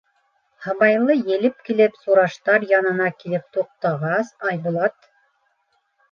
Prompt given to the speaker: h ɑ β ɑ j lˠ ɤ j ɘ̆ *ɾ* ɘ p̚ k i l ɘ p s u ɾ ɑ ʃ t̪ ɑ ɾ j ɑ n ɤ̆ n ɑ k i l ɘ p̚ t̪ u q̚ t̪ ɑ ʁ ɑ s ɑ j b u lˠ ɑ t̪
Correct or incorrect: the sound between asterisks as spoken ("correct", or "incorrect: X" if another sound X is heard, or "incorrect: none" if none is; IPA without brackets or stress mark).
incorrect: l